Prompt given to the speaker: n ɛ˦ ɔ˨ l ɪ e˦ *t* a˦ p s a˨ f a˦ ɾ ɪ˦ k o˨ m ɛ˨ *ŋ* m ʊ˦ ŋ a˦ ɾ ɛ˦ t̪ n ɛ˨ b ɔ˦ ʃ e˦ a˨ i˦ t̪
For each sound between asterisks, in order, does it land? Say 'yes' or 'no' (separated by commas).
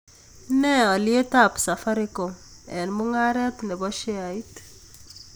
yes, no